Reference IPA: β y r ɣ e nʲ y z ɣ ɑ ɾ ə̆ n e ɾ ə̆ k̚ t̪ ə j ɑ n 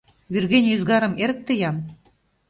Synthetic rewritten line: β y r ɣ e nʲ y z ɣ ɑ ɾ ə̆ m e ɾ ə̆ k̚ t̪ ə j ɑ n